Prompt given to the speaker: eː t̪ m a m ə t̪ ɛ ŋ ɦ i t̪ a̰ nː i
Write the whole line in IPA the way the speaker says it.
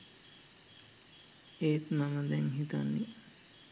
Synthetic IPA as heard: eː t̪ m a m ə d̪ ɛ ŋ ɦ i t̪ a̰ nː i

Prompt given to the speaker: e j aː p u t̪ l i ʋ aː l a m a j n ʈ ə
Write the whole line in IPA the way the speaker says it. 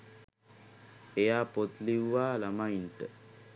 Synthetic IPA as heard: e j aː p o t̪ l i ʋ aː l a m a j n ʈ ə

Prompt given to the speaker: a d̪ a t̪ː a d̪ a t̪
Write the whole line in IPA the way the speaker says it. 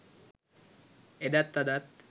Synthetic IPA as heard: e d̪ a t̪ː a d̪ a t̪

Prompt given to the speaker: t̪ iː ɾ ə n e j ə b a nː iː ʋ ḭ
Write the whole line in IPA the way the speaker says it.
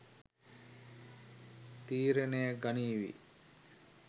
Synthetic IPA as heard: t̪ iː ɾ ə n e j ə ɡ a n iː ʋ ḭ

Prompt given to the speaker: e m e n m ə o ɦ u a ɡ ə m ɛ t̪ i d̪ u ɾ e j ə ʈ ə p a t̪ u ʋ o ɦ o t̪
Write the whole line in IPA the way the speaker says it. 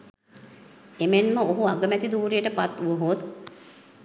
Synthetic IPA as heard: e m e n m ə o ɦ u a ɡ ə m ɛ t̪ i d̪ uː ɾ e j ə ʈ ə p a t̪ u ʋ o ɦ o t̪

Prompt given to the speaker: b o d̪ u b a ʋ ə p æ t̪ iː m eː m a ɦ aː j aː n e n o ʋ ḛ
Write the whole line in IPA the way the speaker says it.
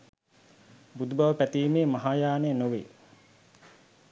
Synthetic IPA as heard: b u d̪ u b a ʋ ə p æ t̪ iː m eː m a ɦ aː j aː n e n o ʋ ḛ

